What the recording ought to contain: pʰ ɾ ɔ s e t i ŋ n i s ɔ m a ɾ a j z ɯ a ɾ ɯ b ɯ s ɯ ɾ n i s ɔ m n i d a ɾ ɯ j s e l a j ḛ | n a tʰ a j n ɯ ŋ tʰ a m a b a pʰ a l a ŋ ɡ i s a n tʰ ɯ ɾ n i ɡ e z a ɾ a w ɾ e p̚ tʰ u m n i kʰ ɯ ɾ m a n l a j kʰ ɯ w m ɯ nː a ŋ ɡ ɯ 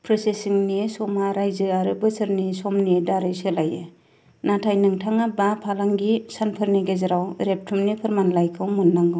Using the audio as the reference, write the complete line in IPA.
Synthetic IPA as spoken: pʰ ɾ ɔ s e s i ŋ n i s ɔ m a ɾ a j z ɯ a ɾ ɯ b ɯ s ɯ ɾ n i s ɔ m n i d a ɾ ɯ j s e l a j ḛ | n a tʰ a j n ɯ ŋ tʰ a ŋ a b a pʰ a l a ŋ ɡ i s a n pʰ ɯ ɾ n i ɡ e z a ɾ a w ɾ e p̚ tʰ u m n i pʰ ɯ ɾ m a n l a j kʰ ɯ w m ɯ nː a ŋ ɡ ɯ